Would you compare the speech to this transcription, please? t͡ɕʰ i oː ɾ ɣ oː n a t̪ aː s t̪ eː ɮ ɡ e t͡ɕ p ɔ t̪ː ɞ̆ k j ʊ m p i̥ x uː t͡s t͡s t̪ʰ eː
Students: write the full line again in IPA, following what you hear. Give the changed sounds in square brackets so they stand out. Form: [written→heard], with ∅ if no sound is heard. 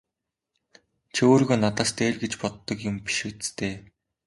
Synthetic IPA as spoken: t͡ɕʰ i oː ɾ ɣ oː n a t̪ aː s t̪ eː ɮ ɡ e t͡ɕ p ɔ t̪ː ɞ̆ k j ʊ m p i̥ [x→ʃ] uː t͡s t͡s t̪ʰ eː